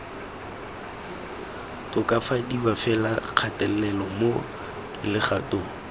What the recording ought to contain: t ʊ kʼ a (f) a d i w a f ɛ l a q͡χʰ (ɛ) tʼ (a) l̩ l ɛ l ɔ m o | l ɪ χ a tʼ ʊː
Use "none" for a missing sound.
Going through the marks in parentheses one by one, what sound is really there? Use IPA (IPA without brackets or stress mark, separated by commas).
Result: f, a, ɛ